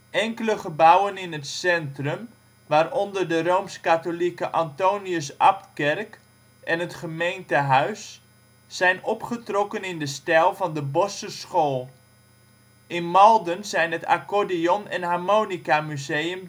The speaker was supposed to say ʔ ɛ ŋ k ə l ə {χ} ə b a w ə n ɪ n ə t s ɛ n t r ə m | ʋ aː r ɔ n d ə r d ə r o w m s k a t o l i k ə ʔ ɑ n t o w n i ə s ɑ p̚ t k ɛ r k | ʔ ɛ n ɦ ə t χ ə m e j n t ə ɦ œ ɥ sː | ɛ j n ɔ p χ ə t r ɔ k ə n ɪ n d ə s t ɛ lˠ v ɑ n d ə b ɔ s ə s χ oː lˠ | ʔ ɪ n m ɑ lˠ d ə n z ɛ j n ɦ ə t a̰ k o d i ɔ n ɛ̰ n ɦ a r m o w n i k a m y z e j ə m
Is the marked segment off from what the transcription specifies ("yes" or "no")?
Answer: no